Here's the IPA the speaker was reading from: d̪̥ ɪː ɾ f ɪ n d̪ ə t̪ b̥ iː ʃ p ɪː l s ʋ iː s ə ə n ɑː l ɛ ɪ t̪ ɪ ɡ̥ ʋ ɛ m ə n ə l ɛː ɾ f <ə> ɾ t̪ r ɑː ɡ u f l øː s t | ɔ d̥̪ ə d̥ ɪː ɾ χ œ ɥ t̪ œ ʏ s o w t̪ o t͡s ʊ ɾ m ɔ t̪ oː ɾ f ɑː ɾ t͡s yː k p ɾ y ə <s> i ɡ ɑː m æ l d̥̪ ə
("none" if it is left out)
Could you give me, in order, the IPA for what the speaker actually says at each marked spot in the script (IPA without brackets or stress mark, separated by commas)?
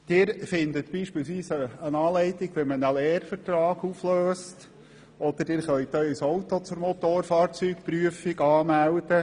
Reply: ə, f